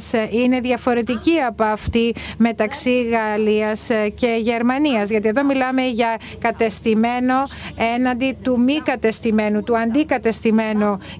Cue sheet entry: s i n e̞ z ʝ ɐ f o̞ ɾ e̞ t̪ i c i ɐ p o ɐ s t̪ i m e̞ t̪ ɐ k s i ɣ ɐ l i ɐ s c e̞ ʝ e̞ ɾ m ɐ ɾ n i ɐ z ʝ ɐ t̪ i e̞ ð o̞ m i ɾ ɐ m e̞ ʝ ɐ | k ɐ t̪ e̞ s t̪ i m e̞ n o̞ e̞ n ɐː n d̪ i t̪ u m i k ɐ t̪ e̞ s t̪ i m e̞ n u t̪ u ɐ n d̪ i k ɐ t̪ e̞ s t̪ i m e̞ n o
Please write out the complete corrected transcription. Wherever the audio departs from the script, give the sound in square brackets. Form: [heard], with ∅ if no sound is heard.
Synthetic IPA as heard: s i n e̞ [ð] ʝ ɐ f o̞ ɾ e̞ t̪ i c i ɐ p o ɐ [f] t̪ i m e̞ t̪ ɐ k s i ɣ ɐ l i ɐ s c e̞ ʝ e̞ ɾ m ɐ [∅] n i ɐ z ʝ ɐ t̪ i e̞ ð o̞ m i [l] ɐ m e̞ ʝ ɐ | k ɐ t̪ e̞ s t̪ i m e̞ n o̞ e̞ n [ɐ] n d̪ i t̪ u m i k ɐ t̪ e̞ s t̪ i m e̞ n u t̪ u ɐ n d̪ i k ɐ t̪ e̞ s t̪ i m e̞ n o